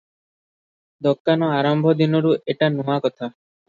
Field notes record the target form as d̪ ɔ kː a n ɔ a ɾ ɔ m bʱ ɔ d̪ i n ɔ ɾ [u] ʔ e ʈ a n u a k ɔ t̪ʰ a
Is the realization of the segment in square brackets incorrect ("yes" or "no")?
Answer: no